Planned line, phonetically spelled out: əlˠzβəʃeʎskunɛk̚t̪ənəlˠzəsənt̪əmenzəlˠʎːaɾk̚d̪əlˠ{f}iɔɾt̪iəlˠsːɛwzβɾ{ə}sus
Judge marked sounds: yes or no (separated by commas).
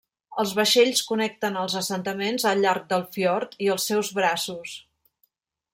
yes, no